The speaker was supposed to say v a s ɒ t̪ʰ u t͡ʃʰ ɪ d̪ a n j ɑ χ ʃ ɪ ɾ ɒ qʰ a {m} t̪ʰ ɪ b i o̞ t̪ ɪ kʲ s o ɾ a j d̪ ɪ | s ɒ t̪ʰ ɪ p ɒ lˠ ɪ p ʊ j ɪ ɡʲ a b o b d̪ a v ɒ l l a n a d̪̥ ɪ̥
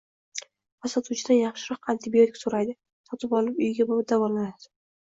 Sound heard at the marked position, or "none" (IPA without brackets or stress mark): n